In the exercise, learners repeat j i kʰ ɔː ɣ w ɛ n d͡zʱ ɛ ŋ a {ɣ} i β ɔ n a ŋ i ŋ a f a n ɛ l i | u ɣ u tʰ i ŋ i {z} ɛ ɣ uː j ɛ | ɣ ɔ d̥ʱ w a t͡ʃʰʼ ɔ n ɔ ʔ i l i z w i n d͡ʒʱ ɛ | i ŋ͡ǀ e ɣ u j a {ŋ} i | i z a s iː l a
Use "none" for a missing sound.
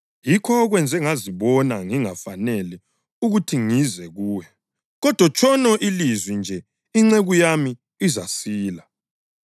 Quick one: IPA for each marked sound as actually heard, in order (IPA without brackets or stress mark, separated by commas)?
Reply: z, z, m